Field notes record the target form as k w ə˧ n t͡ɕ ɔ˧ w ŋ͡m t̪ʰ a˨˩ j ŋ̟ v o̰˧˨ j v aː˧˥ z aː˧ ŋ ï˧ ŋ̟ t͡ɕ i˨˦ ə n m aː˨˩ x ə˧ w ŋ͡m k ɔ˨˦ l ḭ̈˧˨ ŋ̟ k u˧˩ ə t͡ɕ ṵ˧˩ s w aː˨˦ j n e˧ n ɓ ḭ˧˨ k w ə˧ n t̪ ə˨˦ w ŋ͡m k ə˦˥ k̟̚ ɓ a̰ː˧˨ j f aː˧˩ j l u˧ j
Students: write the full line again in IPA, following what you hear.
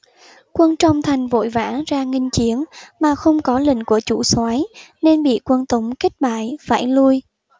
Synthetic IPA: k w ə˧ n t͡ɕ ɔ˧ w ŋ͡m t̪ʰ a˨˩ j ŋ̟ v o̰˧˨ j v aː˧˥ z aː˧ ŋ ï˧ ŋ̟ t͡ɕ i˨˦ ə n m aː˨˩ x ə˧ w ŋ͡m k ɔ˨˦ l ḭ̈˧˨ ŋ̟ k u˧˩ ə t͡ɕ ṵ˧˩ s w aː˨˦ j n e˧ n ɓ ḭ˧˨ k w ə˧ n t̪ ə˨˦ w ŋ͡m k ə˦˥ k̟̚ ɓ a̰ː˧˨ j f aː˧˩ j l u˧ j

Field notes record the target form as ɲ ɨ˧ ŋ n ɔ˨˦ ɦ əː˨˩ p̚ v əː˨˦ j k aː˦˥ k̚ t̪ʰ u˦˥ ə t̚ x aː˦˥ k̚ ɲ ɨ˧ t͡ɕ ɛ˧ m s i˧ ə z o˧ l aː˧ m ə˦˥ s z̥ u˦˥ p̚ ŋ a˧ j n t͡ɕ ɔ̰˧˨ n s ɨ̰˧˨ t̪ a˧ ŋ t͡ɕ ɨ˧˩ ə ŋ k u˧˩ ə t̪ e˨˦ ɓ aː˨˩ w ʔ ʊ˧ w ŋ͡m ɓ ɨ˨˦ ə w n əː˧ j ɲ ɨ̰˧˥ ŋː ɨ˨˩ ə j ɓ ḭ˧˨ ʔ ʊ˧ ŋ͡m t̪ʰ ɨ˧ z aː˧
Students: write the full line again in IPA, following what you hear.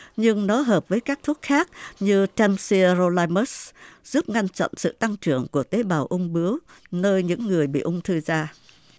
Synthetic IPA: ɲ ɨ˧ ŋ n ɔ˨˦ ɦ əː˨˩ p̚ v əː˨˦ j k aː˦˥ k̚ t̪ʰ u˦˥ ə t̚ x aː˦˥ k̚ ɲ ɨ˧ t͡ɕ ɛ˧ m s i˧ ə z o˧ l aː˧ m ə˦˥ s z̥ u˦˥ p̚ ŋ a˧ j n t͡ɕ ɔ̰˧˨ n s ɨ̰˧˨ t̪ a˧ ŋ t͡ɕ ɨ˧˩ ə ŋ k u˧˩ ə t̪ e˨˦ ɓ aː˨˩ w ʔ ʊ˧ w ŋ͡m ɓ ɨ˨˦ ə w n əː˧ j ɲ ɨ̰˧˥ ŋː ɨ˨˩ ə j ɓ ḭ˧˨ ʔ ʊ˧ ŋ͡m t̪ʰ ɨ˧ z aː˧

